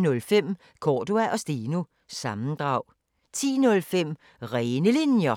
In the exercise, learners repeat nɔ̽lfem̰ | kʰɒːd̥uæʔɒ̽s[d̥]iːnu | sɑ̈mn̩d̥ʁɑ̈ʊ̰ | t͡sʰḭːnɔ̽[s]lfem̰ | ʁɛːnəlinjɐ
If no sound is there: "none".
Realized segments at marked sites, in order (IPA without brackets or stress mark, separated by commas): d̥, none